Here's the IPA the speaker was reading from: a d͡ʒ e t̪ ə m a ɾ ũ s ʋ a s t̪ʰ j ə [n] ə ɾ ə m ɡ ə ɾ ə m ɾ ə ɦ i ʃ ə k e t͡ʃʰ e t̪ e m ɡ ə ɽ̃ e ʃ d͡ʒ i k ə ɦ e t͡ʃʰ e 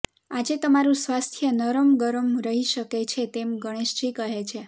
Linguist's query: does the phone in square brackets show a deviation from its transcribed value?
no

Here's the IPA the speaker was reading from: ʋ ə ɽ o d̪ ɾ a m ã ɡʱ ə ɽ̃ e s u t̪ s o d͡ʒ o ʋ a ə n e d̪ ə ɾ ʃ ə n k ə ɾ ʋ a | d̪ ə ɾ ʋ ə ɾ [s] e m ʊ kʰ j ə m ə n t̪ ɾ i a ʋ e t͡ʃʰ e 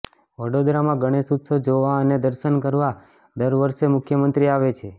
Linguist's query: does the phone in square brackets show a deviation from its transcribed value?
yes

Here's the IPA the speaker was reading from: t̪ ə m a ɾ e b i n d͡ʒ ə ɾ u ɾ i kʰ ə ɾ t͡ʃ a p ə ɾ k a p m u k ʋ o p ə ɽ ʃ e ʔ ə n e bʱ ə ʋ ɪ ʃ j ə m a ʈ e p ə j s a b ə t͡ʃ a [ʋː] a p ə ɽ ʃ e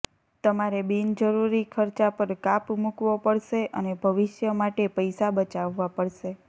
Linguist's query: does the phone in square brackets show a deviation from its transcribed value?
no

